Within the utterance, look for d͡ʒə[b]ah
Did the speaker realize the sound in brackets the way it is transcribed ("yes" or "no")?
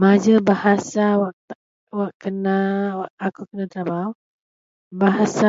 yes